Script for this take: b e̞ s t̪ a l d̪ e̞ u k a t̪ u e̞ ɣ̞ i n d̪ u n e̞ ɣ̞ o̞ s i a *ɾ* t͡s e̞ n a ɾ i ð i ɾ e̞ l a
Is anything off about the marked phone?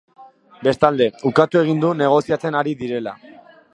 yes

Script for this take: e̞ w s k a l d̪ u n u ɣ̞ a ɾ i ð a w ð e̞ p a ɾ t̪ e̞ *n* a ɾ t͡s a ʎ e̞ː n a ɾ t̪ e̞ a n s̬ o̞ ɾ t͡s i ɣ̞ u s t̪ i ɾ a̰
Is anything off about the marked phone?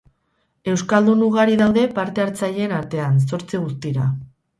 yes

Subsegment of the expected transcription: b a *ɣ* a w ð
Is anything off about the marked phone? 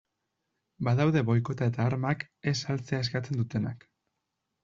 yes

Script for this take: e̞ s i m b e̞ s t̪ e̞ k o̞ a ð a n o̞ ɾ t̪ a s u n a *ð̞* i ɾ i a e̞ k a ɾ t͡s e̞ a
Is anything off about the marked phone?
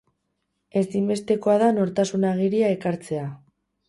yes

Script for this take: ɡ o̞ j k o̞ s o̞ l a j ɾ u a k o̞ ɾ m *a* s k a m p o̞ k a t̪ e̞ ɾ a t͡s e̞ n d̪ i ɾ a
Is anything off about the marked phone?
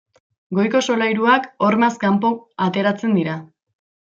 no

